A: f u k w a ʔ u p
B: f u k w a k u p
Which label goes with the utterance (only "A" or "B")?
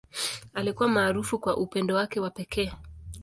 A